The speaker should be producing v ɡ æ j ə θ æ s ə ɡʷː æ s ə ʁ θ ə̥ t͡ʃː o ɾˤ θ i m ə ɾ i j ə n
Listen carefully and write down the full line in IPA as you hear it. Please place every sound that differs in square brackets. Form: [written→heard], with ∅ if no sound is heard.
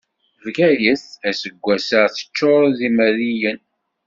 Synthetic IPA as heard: v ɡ æ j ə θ æ s ə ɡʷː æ s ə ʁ θ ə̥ t͡ʃː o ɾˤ [θ→ð] i m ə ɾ i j ə n